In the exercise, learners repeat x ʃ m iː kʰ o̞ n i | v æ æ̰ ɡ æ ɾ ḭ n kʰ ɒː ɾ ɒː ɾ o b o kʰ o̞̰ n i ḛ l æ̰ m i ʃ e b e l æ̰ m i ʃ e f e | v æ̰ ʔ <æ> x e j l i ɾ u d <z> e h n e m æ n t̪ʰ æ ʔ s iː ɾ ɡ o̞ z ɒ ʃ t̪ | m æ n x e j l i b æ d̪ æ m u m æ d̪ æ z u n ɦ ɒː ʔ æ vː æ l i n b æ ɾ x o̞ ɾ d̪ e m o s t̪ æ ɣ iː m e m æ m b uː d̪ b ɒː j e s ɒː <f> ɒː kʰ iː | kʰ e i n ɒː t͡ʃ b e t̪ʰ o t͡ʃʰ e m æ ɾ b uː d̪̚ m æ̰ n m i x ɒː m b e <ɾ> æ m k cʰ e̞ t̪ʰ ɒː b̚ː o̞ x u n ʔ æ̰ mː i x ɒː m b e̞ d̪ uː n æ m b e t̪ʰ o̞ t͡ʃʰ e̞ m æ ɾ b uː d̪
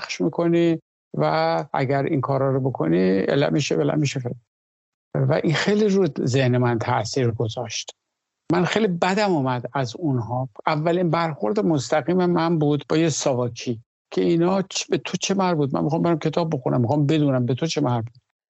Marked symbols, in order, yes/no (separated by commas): no, yes, no, yes